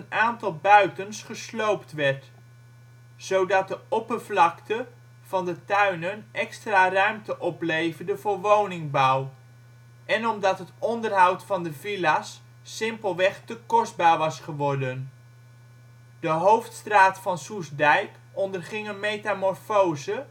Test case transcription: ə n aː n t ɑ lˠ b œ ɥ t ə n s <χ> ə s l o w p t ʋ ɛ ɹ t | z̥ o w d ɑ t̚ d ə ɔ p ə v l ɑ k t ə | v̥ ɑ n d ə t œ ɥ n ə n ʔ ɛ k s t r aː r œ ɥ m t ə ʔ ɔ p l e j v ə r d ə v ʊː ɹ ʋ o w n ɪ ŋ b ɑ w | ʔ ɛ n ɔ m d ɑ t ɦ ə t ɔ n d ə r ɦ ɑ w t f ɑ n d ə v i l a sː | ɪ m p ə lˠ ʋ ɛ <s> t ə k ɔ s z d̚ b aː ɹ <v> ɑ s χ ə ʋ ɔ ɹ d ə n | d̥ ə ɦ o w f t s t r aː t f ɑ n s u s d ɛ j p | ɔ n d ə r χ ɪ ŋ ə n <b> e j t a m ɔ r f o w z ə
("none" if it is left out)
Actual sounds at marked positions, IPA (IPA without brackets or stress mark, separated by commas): χ, χ, ʋ, m